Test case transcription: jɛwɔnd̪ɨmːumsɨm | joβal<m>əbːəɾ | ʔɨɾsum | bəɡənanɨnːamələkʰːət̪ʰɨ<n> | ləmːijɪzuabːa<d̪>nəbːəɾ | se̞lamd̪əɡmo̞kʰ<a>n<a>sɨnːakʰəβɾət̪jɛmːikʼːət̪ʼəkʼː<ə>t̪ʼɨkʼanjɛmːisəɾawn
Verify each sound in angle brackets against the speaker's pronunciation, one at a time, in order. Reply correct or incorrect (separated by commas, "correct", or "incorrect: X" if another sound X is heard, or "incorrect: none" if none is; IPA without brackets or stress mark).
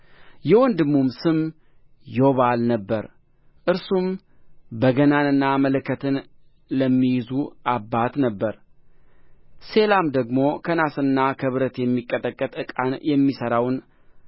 incorrect: n, correct, incorrect: t̪, incorrect: ə, correct, correct